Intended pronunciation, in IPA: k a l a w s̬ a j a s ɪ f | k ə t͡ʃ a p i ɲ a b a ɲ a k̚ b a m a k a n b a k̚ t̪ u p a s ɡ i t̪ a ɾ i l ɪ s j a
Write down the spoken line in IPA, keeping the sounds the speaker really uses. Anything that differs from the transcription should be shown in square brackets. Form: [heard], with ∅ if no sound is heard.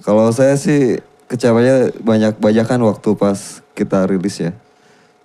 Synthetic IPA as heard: k a l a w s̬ a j a s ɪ [h] | k ə t͡ʃ a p [a] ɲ a b a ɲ a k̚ b a [ɲ] a k a n [w] a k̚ t̪ u p a s [k] i t̪ a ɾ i l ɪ s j a